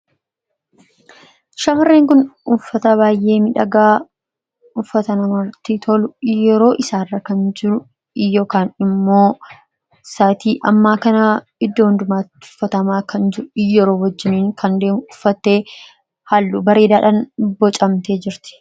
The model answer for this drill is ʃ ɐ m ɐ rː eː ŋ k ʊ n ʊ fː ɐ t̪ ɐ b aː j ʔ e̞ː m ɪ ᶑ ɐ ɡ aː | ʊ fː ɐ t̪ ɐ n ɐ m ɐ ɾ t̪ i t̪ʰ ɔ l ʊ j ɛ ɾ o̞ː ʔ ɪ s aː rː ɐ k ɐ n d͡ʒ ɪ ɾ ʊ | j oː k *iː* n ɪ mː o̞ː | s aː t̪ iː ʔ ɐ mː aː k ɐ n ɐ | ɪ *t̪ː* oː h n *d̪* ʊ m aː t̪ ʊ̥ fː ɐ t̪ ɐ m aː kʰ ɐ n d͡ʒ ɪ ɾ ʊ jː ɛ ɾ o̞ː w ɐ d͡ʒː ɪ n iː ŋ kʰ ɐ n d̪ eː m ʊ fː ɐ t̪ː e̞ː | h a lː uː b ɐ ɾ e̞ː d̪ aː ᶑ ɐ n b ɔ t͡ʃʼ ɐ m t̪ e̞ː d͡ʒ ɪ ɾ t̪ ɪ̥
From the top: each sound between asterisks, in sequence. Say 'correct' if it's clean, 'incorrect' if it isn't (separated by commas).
incorrect, incorrect, correct